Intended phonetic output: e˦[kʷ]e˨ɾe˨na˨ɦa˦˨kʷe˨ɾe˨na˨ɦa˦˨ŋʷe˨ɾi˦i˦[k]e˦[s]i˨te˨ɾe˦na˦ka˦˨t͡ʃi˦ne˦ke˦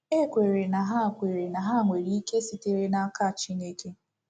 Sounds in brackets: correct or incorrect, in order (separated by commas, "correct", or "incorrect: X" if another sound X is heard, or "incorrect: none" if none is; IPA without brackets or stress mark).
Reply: correct, correct, correct